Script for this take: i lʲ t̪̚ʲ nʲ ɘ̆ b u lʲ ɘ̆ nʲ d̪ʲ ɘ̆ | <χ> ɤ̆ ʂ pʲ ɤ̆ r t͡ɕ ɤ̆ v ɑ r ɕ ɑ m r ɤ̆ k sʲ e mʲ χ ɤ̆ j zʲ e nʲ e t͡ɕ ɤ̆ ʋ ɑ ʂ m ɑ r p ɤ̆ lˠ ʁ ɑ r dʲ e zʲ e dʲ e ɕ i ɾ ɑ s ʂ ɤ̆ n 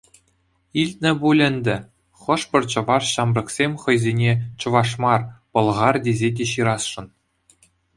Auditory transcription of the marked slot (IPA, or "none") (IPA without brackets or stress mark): χ